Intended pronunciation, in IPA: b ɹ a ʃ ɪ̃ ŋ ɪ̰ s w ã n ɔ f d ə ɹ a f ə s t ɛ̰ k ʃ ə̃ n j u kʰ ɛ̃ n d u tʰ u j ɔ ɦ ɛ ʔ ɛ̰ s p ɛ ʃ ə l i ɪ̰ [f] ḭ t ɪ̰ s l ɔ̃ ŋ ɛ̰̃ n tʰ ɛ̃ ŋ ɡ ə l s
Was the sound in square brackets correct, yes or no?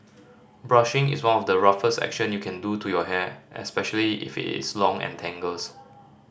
yes